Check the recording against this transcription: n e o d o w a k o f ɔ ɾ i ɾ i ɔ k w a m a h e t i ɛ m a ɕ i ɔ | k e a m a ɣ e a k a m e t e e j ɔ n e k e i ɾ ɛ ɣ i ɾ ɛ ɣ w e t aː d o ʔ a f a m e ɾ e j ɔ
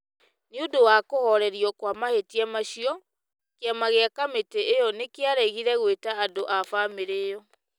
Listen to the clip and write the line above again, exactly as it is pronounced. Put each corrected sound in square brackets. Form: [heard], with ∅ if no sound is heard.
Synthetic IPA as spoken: n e o d o w a k o [h] ɔ ɾ [ɛ] ɾ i ɔ k w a m a h e t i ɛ m a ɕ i ɔ | k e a m a ɣ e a k a m e t e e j ɔ n e k e [a] ɾ ɛ ɣ i ɾ ɛ ɣ w e t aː d o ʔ a f a m e ɾ e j ɔ